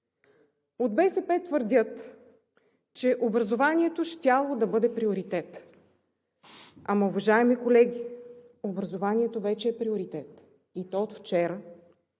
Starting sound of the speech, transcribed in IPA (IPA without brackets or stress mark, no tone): o